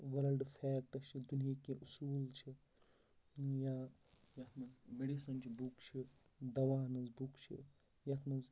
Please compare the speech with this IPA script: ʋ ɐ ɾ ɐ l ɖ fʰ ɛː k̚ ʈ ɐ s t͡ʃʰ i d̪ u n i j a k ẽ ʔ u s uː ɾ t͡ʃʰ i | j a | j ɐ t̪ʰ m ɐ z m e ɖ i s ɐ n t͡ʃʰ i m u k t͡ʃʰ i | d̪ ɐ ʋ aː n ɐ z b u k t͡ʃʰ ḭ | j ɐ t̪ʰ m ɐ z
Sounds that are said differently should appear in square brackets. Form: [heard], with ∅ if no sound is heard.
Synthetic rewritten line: ʋ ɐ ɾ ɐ l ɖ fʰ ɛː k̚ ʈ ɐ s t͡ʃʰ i d̪ u n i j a k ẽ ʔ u s uː [l] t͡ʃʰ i | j a | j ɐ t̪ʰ m ɐ z m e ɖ i s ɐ n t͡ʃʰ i [b] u k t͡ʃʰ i | d̪ ɐ ʋ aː n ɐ z b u k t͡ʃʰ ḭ | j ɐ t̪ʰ m ɐ z